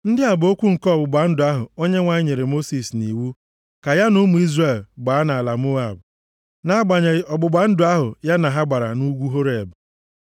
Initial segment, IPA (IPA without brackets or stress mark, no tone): n̩